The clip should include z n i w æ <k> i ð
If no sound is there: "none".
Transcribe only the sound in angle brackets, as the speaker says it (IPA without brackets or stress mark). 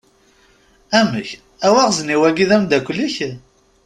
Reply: ɡ